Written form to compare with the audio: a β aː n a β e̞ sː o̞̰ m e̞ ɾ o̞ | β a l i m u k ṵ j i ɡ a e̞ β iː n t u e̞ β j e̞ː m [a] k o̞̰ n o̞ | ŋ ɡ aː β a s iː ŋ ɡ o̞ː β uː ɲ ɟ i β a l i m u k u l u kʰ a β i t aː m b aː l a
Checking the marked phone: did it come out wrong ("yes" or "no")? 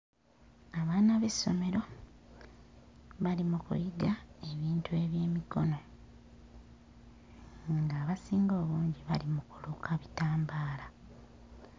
yes